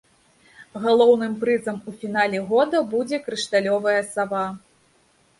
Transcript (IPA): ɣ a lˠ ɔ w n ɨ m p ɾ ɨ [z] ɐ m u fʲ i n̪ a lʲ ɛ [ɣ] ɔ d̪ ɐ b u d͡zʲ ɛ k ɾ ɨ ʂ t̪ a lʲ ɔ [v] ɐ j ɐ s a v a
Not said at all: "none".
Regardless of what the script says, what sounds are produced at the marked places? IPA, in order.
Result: z, ɣ, v

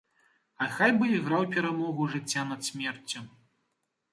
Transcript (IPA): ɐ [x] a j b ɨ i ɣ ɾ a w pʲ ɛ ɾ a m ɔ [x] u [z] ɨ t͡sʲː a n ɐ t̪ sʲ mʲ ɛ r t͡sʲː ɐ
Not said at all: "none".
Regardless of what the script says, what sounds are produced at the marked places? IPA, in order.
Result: x, ɣ, ʐ

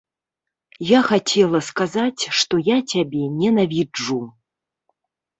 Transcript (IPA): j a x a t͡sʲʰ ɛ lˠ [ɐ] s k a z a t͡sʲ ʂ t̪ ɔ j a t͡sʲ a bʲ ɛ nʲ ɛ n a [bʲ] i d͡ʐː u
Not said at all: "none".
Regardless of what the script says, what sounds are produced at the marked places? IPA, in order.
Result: ɐ, vʲ

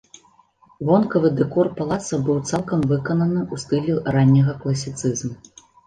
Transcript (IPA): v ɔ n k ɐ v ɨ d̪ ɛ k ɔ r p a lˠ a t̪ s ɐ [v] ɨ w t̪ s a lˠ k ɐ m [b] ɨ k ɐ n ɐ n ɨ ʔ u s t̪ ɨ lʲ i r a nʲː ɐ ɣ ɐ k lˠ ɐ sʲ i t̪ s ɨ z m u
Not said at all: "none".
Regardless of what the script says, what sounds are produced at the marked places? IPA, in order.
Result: b, v

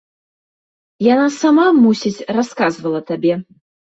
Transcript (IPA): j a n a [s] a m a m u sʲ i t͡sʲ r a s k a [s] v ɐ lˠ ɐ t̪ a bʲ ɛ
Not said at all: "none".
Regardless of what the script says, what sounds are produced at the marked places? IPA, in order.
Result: s, z

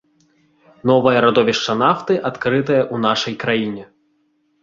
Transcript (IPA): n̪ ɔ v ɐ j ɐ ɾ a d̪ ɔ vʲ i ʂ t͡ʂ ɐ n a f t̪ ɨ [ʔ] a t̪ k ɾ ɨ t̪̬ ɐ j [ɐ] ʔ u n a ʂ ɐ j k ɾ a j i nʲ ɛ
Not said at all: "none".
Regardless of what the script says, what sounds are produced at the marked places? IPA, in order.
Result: ʔ, ɐ

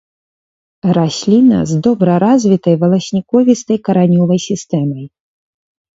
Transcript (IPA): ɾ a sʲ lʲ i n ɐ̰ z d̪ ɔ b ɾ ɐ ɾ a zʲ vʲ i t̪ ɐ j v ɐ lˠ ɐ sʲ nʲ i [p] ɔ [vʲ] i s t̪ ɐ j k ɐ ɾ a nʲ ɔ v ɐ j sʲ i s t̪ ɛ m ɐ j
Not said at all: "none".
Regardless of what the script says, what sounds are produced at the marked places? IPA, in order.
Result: k, vʲ

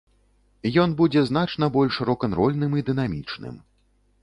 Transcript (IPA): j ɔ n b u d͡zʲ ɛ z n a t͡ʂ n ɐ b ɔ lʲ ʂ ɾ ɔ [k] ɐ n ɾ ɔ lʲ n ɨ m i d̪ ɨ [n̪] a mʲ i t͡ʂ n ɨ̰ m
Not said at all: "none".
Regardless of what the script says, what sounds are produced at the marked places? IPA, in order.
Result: k, n̪

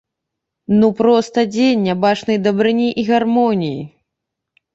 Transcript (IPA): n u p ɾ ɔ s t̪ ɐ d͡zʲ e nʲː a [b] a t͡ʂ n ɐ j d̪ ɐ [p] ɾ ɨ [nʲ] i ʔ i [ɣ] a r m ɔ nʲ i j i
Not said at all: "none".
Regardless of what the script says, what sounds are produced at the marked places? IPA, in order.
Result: b, b, nʲ, ɣ

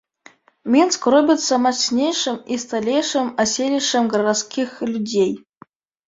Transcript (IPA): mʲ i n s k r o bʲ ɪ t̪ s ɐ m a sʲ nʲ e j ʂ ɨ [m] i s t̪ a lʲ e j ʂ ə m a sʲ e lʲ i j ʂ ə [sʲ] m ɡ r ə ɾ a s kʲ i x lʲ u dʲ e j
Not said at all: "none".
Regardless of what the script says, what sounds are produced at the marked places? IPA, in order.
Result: m, none

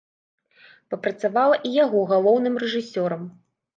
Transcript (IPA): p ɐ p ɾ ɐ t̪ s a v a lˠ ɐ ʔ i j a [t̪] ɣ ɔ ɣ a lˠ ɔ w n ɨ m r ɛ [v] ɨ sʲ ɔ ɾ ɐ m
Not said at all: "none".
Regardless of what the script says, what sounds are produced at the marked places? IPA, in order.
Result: none, ʐ

